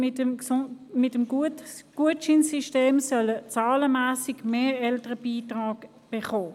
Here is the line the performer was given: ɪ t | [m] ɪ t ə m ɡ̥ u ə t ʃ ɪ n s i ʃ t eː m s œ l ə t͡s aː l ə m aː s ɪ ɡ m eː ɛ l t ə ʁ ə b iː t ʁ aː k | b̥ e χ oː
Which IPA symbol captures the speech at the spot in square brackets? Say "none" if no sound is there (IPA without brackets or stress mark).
m